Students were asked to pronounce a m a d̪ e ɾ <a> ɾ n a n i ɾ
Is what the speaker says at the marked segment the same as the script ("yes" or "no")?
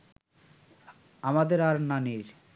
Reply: yes